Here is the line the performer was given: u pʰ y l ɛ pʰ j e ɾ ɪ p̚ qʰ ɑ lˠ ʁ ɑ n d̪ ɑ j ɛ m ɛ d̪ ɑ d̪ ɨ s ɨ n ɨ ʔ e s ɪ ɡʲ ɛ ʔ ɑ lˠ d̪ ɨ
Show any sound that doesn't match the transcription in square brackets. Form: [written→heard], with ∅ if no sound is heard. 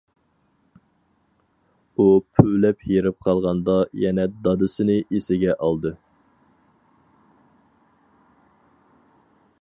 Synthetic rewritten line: u pʰ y l ɛ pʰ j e ɾ ɪ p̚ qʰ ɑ lˠ ʁ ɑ n d̪ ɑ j ɛ [m→n] ɛ d̪ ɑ d̪ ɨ s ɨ n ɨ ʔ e s ɪ ɡʲ ɛ ʔ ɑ lˠ d̪ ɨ